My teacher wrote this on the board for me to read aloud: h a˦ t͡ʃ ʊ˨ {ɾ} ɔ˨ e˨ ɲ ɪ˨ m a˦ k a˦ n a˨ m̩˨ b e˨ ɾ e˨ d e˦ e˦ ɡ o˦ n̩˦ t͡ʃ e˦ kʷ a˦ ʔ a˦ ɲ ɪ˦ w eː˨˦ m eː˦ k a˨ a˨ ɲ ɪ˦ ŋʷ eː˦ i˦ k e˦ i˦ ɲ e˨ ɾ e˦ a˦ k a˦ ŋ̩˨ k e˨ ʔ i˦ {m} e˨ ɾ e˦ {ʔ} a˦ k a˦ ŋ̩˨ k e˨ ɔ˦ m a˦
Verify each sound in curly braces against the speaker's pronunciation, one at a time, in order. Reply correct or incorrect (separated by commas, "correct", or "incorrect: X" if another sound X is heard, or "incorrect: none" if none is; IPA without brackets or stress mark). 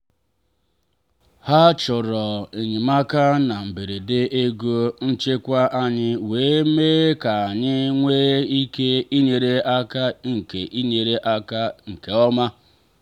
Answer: correct, incorrect: ɲ, correct